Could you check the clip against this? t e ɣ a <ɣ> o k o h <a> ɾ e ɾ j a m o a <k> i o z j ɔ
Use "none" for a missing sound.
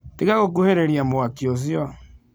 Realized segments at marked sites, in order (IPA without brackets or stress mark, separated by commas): ɣ, e, k